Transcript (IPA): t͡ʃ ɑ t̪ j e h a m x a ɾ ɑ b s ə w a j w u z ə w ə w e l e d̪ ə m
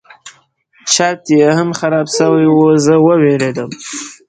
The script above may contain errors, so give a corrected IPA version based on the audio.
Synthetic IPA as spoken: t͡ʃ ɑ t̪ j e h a m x a ɾ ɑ b s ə w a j w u z ə w ə w e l e d̪ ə m